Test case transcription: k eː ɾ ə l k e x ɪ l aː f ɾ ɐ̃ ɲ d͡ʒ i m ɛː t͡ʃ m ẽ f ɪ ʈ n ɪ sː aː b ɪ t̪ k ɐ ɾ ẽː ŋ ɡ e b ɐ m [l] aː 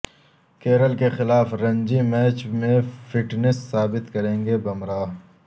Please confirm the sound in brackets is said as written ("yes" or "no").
no